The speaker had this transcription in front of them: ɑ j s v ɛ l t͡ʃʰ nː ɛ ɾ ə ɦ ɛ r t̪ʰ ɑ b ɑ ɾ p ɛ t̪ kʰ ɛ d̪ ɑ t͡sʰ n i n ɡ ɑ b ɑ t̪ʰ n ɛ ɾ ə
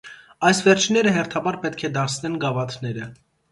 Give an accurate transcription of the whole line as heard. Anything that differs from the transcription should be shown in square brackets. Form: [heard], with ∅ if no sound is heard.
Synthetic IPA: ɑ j s v ɛ [ɾ] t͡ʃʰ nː ɛ ɾ ə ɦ ɛ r t̪ʰ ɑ b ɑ ɾ p ɛ t̪ kʰ ɛ d̪ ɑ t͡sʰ n [ɛ] n ɡ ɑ [v] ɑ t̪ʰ n ɛ ɾ ə